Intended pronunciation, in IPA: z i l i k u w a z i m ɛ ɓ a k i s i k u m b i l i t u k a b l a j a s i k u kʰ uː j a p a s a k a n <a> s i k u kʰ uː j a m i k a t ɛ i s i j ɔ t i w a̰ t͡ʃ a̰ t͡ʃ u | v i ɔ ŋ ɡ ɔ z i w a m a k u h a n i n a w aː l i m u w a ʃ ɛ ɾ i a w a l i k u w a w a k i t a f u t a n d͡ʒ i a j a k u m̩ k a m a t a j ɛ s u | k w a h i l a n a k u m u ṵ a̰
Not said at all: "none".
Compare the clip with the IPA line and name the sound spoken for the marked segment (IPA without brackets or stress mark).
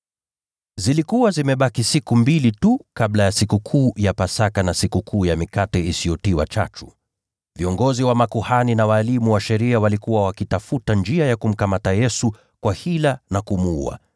a